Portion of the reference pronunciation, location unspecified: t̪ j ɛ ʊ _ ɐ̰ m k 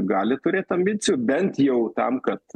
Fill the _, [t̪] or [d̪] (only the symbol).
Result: t̪